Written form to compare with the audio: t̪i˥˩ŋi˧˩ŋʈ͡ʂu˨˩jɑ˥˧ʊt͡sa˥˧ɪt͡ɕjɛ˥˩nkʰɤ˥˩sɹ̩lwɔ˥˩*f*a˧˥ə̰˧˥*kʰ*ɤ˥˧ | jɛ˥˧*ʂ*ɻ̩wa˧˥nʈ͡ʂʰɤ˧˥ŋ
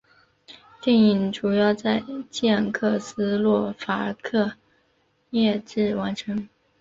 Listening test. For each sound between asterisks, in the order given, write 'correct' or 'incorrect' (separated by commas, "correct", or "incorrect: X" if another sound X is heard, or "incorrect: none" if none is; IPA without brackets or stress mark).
correct, correct, incorrect: ʈ͡ʂ